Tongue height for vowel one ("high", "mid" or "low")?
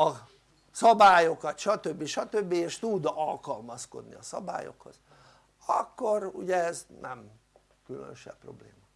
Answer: low